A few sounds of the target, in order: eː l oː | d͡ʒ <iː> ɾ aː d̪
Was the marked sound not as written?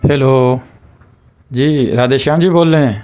no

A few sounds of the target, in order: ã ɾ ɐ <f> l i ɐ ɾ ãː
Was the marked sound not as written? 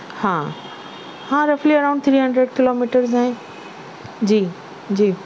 no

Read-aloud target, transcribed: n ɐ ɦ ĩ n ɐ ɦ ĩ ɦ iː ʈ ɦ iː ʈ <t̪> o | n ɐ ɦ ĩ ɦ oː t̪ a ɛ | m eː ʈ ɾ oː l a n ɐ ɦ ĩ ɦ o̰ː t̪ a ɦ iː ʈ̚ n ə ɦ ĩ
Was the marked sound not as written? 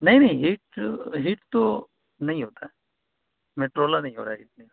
no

